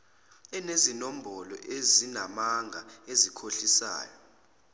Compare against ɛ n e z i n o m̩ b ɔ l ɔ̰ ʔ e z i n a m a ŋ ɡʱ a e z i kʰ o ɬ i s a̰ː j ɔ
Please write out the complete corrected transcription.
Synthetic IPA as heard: ɛ n e z i n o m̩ b ɔ l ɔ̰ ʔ e z i n a m a ŋ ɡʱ a e z i kʰ o ɬ i s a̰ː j ɔ